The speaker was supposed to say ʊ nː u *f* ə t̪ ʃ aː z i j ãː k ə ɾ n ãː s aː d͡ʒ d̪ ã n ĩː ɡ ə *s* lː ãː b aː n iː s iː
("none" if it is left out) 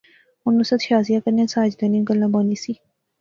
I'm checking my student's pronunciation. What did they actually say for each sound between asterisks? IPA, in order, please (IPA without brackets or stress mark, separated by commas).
s, none